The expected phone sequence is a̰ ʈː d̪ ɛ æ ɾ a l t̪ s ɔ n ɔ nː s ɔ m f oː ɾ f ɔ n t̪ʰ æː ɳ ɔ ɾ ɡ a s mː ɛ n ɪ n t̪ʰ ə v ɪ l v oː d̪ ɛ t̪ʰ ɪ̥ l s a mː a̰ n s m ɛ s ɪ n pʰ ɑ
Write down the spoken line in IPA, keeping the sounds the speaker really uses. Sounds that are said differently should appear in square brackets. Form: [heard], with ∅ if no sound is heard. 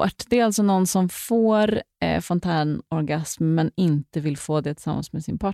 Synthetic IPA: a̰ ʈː d̪ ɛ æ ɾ a l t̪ s ɔ n ɔ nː s ɔ m f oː ɾ f ɔ n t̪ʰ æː ɳ ɔ ɾ ɡ a s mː ɛ n ɪ n [t̪] ə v ɪ l [f] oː d̪ ɛ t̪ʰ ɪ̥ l s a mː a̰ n s m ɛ s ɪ n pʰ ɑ